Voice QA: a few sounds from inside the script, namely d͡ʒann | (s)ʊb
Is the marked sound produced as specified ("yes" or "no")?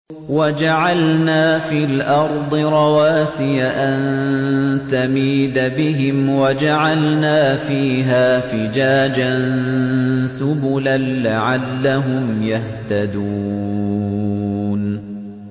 yes